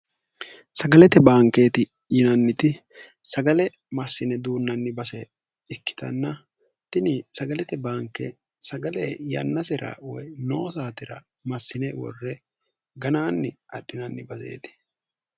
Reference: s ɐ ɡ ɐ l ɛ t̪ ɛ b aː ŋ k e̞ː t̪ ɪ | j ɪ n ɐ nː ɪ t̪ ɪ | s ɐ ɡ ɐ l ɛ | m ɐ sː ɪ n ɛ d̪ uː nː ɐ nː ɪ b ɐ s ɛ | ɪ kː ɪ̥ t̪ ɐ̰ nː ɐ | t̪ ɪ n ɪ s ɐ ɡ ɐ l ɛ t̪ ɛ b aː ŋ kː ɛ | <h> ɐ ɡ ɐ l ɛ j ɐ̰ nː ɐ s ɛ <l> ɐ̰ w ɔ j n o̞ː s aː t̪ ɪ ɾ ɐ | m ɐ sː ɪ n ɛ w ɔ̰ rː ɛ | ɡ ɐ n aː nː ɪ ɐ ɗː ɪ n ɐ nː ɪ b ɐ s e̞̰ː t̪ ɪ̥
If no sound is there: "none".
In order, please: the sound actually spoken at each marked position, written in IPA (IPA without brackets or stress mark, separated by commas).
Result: s, ɾ